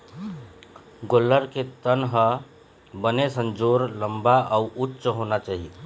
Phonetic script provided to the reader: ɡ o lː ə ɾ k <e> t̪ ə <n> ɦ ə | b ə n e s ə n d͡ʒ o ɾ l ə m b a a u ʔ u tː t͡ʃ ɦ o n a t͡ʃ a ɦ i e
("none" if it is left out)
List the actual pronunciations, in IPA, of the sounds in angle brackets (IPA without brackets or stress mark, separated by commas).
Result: e, n